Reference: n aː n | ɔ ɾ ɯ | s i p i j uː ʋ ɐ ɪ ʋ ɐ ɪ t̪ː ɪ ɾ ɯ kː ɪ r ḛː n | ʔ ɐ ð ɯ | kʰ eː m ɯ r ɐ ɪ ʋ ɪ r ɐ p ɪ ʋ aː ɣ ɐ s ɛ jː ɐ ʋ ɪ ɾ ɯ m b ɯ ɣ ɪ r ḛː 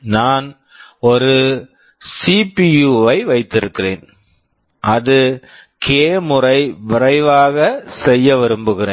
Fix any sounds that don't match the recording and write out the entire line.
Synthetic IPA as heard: n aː n | ɔ ɾ ɯ | s i p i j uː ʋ ɐ ɪ ʋ ɐ ɪ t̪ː ɪ ɾ ɯ kː ɪ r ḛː n | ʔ ɐ ð ɯ | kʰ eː m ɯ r ɐ ɪ ʋ ɪ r ɐ ɪ ʋ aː ɣ ɐ s ɛ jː ɐ ʋ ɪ ɾ ɯ m b ɯ ɣ ɪ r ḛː

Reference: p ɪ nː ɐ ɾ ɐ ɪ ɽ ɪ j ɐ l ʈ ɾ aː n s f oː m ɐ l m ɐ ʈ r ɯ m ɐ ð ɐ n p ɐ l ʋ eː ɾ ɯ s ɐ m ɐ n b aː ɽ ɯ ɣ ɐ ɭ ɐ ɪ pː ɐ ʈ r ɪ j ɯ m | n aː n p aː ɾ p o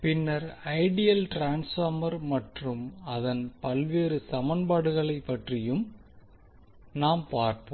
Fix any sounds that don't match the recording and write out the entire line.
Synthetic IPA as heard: p ɪ nː ɐ ɾ ɐ ɪ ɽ ɪ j ɐ l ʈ ɾ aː n s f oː m ɐ ɾ m ɐ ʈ r ɯ m ɐ ð ɐ n p ɐ l ʋ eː ɾ ɯ s ɐ m ɐ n b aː ɽ ɯ ɣ ɐ ɭ ɐ ɪ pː ɐ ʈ r ɪ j ɯ m | n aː m p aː ɾ p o

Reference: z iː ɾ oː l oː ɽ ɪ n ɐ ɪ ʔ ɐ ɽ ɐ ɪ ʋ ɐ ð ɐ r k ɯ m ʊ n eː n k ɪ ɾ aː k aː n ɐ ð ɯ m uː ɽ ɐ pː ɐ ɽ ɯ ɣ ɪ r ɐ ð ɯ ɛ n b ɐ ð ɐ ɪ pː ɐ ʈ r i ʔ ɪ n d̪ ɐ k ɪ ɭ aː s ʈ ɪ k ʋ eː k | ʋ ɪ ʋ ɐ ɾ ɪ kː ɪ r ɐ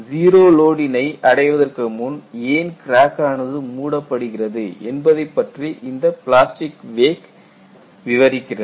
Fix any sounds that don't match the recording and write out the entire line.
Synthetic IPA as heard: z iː ɾ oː l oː ɽ ɪ n ɐ ɪ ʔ ɐ ɽ ɐ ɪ ʋ ɐ ð ɐ r k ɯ m ʊ n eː n k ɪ ɾ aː k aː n ɐ ð ɯ m uː ɽ ɐ pː ɐ ɽ ɯ ɣ ɪ r ɐ ð ɯ ɛ n b ɐ ð ɐ ɪ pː ɐ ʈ r i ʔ ɪ n d̪ ɐ p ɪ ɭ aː s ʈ ɪ k ʋ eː k | ʋ ɪ ʋ ɐ ɾ ɪ kː ɪ r ɐ

